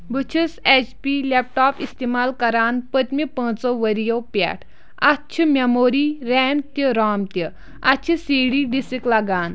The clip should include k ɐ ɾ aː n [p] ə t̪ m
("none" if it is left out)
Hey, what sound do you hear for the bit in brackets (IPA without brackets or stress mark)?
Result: p